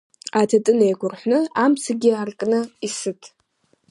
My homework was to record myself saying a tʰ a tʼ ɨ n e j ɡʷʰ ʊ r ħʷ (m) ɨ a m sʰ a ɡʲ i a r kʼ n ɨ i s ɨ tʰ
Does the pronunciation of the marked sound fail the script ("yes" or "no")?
yes